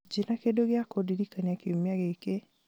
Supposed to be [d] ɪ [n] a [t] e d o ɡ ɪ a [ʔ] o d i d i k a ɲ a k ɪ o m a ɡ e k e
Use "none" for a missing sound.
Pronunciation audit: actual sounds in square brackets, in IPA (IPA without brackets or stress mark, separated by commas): d͡ʒ, n, k, k